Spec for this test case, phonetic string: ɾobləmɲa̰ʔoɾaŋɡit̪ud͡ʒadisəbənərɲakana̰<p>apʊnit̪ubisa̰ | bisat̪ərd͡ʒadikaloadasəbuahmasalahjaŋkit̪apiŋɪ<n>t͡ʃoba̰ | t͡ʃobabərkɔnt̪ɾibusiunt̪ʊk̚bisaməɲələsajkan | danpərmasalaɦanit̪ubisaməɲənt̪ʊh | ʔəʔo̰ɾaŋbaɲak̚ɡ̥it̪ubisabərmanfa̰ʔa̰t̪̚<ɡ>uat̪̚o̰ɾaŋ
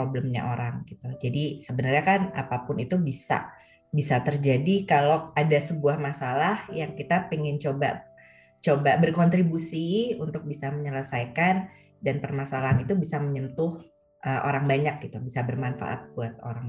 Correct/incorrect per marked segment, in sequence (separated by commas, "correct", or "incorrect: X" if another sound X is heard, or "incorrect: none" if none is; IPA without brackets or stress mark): correct, correct, incorrect: b